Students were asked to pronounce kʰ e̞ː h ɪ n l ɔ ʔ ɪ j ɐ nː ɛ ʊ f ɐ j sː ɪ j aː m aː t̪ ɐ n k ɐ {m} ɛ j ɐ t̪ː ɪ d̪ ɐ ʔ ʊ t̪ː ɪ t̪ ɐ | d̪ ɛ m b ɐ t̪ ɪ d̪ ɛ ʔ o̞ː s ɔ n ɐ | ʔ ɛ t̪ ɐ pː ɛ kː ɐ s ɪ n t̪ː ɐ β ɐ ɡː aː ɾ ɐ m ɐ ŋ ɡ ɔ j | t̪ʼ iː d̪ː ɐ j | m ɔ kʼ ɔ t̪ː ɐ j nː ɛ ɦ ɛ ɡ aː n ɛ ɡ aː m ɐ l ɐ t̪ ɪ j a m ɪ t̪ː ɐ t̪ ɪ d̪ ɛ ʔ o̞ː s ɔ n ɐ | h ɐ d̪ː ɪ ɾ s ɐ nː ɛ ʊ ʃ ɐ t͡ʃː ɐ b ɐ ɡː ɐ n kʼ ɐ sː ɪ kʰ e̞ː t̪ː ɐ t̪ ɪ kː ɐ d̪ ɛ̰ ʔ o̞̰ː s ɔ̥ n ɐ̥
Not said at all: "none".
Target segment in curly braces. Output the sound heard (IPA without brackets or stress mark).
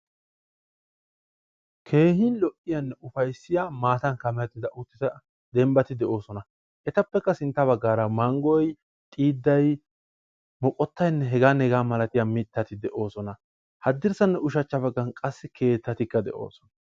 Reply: m